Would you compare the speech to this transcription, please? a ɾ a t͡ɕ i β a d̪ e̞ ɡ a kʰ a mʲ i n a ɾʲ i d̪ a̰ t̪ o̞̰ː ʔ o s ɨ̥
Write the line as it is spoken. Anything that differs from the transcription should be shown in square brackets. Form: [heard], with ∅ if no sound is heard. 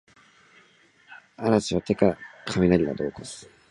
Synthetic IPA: a ɾ a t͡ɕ i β a [t̪] e̞ [k] a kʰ a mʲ i n a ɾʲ i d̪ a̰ [d̪] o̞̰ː [k] o s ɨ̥